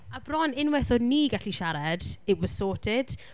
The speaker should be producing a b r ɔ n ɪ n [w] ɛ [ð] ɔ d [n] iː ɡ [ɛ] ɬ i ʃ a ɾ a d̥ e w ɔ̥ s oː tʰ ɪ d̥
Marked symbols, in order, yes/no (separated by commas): yes, no, yes, no